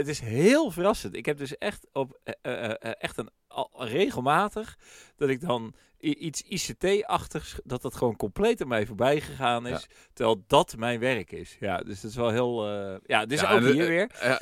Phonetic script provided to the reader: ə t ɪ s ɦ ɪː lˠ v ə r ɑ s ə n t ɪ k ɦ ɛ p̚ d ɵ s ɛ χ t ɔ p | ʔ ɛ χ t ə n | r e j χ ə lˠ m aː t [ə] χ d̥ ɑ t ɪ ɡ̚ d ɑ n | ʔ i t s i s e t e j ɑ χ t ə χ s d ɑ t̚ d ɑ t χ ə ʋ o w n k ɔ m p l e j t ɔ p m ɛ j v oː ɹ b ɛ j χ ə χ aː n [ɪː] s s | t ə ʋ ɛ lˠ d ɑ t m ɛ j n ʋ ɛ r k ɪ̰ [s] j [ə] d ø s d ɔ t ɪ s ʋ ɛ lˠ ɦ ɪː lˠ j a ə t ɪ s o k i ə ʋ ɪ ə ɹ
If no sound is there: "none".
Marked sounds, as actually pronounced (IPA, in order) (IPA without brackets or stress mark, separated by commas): ə, ɪ, s, a